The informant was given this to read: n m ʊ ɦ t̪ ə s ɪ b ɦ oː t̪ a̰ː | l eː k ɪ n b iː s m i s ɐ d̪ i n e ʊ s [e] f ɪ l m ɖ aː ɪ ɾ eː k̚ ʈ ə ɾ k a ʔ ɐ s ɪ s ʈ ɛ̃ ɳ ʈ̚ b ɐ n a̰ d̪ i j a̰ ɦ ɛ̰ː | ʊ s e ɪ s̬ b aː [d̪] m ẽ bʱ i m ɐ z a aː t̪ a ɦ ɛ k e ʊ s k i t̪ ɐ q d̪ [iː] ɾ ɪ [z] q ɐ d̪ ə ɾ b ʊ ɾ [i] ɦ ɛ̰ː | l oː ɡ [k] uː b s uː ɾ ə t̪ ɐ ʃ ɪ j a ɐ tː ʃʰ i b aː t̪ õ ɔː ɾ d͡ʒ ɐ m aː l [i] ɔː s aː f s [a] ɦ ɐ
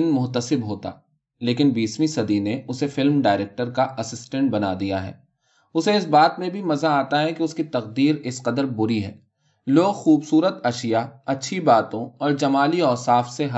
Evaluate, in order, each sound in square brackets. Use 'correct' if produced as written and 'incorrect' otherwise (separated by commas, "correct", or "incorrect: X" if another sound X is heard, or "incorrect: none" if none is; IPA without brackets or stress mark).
correct, incorrect: t̪, correct, incorrect: s, correct, incorrect: x, correct, incorrect: e